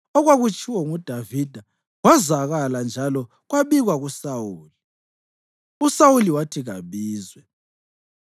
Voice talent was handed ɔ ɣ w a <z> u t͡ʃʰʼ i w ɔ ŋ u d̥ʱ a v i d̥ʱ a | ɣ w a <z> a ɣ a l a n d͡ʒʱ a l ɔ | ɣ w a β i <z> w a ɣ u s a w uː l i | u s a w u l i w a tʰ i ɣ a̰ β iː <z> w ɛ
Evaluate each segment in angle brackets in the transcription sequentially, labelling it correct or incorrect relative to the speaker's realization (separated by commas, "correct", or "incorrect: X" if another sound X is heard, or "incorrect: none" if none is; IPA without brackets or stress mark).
incorrect: ɣ, correct, incorrect: ɣ, correct